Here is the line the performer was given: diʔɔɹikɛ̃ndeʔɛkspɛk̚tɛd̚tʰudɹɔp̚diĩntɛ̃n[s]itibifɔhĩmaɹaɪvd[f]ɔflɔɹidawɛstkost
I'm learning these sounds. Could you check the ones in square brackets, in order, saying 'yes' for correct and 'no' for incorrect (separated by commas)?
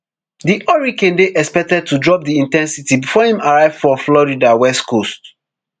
yes, yes